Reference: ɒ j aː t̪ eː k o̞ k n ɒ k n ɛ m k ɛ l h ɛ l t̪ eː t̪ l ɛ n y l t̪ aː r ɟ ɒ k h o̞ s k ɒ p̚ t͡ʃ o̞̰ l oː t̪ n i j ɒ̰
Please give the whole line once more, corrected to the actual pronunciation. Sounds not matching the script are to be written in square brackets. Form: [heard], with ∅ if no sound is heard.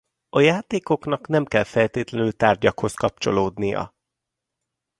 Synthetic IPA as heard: ɒ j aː t̪ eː k o̞ k n ɒ k n ɛ m k ɛ l [f] ɛ l t̪ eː t̪ l ɛ n y l t̪ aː r ɟ ɒ k h o̞ s k ɒ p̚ t͡ʃ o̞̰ l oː [d̪] n i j ɒ̰